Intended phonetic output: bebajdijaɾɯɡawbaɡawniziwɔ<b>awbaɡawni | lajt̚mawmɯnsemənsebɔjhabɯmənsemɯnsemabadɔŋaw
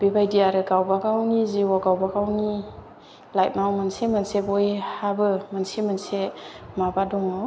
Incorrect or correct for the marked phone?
incorrect: ɡ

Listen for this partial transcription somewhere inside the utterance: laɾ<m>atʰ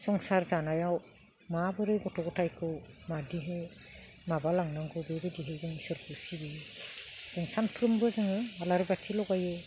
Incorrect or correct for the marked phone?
incorrect: b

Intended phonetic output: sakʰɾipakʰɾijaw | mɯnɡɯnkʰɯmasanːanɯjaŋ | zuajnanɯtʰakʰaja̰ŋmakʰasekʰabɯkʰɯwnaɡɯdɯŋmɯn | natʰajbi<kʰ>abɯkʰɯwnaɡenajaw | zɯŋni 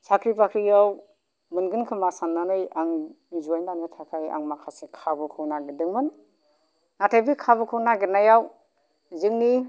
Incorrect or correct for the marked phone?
correct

